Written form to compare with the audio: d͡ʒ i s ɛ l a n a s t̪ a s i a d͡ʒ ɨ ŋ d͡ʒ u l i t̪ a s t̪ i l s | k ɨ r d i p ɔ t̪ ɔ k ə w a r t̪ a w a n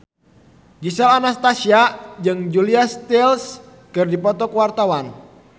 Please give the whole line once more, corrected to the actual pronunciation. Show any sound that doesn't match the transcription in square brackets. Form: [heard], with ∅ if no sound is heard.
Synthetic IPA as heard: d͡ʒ i s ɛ l a n a s t̪ a s i a d͡ʒ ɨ ŋ d͡ʒ u l i [∅] a s t̪ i l s | k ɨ r d i p ɔ t̪ ɔ k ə w a r t̪ a w a n